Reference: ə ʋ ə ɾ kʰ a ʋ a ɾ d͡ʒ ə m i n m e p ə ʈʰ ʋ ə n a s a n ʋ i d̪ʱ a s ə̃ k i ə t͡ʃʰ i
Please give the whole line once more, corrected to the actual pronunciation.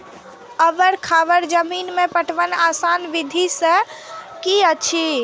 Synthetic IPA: ə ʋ ə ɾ kʰ a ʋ ə ɾ d͡ʒ ə m i n m e p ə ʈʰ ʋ ə n a s a n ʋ i d̪ʱ i s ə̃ k i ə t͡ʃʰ i